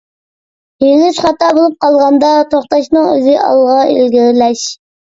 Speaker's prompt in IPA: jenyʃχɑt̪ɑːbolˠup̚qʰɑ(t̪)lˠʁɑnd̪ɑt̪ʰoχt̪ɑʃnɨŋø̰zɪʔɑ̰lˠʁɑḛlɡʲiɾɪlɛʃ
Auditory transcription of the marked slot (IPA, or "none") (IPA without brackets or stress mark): none